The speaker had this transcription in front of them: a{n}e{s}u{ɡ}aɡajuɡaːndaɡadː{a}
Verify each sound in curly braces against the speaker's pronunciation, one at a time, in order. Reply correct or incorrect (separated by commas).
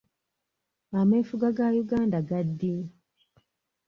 incorrect, incorrect, correct, incorrect